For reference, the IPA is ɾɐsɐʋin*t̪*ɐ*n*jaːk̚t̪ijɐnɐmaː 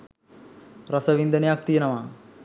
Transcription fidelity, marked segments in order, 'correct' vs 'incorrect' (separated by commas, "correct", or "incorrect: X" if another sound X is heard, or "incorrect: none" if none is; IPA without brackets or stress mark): incorrect: d̪, correct